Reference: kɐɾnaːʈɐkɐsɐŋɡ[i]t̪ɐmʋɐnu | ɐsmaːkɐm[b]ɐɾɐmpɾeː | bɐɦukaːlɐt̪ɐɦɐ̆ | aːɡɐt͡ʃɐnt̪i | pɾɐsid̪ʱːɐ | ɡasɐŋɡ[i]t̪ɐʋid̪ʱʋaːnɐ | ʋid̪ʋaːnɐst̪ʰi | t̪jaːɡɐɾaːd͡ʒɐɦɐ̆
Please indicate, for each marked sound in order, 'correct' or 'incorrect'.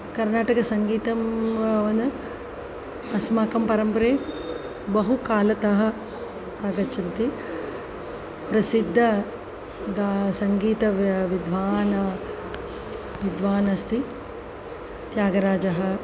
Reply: incorrect, incorrect, incorrect

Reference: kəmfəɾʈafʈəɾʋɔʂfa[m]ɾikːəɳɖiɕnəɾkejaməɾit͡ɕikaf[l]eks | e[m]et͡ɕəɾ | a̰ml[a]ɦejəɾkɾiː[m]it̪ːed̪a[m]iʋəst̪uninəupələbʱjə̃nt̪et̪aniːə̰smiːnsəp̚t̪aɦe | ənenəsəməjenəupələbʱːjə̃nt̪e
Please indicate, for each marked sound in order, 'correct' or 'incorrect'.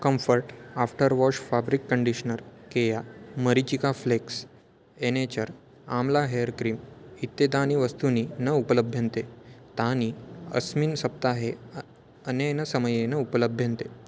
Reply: incorrect, correct, incorrect, correct, correct, incorrect

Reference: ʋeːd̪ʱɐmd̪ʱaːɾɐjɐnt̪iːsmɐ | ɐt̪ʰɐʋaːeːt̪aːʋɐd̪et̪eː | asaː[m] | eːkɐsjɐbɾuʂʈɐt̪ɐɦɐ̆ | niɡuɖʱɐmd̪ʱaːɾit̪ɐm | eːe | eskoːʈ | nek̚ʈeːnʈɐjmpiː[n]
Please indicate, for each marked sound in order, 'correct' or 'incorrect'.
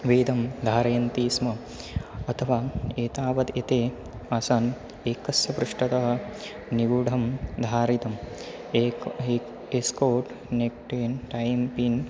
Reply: incorrect, correct

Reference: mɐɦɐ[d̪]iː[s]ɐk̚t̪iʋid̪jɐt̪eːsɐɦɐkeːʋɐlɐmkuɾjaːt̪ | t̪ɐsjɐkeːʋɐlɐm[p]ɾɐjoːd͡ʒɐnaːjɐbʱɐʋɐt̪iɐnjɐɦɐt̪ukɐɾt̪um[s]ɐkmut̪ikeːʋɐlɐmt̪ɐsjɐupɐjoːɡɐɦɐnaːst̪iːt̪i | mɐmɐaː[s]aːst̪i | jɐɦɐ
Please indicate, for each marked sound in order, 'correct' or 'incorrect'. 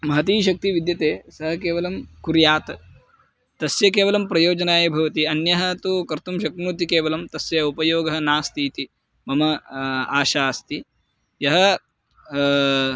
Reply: incorrect, incorrect, correct, incorrect, incorrect

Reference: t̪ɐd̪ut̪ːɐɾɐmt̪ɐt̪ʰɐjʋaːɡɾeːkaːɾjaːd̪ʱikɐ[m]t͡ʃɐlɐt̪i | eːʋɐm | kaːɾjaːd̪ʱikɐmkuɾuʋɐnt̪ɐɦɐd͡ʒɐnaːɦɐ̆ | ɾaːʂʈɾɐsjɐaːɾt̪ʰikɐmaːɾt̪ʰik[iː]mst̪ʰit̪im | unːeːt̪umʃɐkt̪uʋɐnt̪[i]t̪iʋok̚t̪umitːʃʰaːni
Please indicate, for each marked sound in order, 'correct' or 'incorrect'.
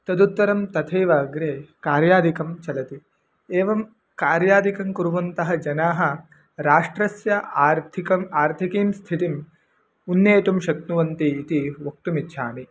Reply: correct, correct, incorrect

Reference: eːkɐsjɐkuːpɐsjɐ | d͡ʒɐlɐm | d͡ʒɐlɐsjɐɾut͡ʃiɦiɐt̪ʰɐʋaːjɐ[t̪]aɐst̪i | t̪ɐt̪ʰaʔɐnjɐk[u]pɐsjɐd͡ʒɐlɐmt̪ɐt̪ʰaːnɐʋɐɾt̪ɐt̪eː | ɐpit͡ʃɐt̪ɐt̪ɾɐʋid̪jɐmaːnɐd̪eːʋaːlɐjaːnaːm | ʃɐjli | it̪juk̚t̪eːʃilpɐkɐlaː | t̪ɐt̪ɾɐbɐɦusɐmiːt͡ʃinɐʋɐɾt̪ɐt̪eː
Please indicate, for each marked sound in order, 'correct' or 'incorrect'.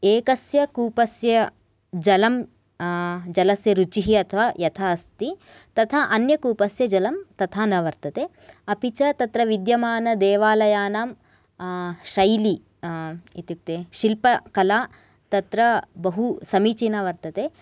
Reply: incorrect, incorrect

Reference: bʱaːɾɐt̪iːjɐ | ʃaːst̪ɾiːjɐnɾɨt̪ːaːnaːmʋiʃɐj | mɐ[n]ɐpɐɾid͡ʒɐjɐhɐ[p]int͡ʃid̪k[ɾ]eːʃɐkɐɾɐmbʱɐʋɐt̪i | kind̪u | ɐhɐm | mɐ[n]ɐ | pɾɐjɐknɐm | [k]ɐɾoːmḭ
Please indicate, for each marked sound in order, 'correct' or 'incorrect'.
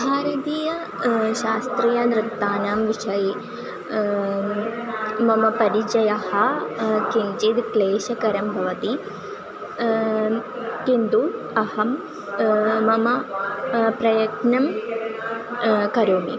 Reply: incorrect, incorrect, incorrect, incorrect, correct

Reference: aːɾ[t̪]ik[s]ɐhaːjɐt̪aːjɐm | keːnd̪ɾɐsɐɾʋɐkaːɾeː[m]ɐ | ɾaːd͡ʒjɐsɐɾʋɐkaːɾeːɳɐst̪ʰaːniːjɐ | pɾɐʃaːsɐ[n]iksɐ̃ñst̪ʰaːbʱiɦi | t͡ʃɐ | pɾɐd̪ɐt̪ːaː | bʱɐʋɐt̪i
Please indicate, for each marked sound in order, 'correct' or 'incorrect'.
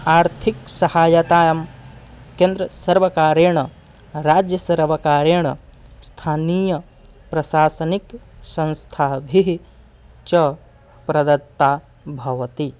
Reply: incorrect, correct, incorrect, correct

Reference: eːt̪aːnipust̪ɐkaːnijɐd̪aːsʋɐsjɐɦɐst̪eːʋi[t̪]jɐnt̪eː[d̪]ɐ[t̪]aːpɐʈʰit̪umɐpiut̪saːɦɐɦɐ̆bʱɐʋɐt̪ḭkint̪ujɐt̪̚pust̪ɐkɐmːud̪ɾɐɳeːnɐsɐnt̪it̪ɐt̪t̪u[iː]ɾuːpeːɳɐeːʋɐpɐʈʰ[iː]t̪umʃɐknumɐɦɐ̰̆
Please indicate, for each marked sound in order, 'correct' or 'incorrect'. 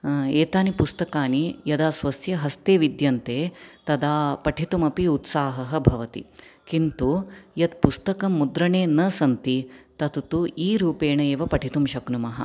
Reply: incorrect, incorrect, incorrect, correct, incorrect

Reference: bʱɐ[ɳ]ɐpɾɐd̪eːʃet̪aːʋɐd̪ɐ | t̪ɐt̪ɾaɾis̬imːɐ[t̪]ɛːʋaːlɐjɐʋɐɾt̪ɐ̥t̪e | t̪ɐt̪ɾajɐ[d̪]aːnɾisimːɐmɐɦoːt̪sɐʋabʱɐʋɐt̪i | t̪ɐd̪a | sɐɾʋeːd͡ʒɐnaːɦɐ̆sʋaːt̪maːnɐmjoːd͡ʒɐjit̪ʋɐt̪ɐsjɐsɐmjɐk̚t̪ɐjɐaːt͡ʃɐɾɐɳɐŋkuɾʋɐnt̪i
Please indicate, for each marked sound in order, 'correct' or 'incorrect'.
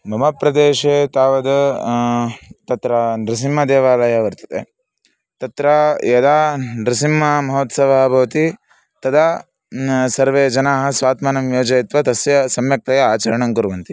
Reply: incorrect, incorrect, correct

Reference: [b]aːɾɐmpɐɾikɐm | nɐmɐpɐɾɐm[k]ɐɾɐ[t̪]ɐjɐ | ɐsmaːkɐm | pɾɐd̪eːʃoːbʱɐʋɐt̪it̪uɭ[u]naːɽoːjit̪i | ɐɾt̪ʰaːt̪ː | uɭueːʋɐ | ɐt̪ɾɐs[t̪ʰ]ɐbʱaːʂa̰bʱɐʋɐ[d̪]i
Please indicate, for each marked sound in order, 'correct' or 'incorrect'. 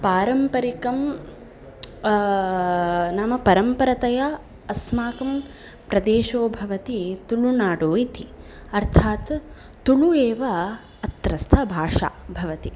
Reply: incorrect, incorrect, correct, correct, correct, incorrect

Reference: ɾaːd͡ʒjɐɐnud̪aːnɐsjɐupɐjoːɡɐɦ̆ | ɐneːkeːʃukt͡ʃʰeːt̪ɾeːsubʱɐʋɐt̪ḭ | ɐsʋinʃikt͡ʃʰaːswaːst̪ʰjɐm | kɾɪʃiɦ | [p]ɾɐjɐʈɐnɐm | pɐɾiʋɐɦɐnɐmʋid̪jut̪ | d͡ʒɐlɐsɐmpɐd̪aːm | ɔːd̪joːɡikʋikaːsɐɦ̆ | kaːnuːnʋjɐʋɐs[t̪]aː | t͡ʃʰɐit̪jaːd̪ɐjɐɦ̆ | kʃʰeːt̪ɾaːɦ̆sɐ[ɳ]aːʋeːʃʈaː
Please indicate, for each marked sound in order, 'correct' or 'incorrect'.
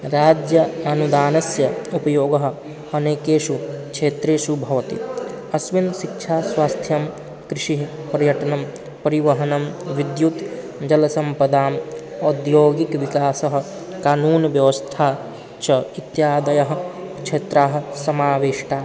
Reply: correct, incorrect, incorrect

